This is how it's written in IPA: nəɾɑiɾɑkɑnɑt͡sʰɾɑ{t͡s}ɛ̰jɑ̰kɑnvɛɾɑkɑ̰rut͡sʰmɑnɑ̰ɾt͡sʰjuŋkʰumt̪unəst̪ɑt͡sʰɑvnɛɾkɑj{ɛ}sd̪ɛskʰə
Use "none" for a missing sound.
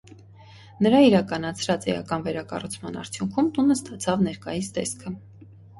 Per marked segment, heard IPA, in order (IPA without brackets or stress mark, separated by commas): t͡s, i